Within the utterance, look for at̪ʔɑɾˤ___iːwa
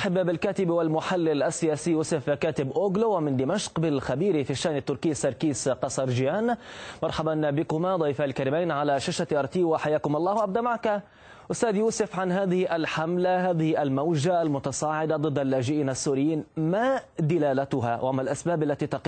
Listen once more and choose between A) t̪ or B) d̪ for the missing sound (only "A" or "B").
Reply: A